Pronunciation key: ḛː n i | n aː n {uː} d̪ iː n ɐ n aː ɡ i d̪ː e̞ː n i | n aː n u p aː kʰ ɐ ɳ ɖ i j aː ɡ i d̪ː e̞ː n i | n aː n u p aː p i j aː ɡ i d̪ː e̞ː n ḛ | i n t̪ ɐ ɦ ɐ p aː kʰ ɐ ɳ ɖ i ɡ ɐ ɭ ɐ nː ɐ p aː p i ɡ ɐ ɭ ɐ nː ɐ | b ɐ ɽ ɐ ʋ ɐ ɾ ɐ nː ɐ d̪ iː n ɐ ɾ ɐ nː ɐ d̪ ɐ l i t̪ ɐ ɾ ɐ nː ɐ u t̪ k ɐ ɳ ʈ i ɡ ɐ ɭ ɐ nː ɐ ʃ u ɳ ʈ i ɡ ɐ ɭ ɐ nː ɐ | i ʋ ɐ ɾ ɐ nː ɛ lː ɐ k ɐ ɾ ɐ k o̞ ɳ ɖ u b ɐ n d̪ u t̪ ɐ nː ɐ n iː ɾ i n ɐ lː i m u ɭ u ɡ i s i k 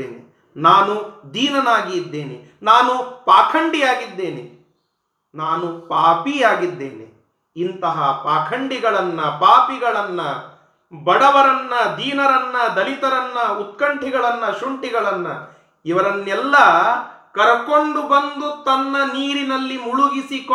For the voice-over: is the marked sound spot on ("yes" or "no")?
no